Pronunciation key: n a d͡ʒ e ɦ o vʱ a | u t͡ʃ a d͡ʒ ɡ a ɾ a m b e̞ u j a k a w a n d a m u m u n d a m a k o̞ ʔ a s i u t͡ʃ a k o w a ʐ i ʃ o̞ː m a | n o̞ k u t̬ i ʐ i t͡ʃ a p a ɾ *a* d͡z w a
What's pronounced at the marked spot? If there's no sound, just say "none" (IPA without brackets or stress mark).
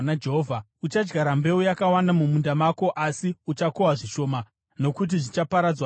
a